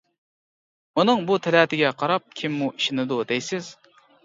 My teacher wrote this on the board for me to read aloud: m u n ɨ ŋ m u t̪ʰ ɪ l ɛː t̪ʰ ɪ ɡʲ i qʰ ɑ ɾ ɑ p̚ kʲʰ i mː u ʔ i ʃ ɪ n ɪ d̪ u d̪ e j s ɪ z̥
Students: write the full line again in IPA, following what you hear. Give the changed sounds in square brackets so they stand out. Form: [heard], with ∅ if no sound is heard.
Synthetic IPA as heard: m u n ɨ ŋ [b] u t̪ʰ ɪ l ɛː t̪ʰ ɪ ɡʲ [ɛ] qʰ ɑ ɾ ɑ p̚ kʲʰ i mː u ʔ i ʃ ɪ n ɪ d̪ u d̪ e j s ɪ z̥